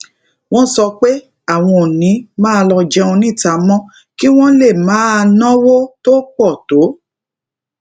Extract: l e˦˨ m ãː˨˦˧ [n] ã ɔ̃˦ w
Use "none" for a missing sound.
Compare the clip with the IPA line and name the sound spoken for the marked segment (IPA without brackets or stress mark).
n